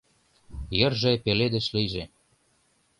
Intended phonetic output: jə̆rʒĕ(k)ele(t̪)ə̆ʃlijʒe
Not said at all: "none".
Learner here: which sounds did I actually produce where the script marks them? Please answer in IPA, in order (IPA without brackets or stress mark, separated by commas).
p, d̪